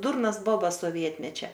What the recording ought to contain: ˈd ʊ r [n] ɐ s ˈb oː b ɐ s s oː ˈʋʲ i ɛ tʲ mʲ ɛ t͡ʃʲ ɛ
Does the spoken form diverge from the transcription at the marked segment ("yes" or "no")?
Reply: no